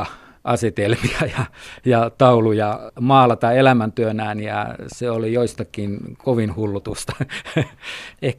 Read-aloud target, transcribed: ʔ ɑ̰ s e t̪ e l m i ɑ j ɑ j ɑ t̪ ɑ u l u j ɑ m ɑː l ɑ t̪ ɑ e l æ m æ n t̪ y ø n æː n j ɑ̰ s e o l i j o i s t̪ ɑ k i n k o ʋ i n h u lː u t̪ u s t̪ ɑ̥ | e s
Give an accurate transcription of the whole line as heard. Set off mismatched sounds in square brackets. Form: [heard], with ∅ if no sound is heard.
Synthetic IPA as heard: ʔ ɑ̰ s e t̪ e l m i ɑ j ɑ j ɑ t̪ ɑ u l u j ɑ m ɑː l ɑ t̪ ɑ e l æ m æ n t̪ y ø n æː n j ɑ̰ s e o l i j o i s t̪ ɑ k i n k o ʋ i n h u lː u t̪ u s t̪ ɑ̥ | e [h]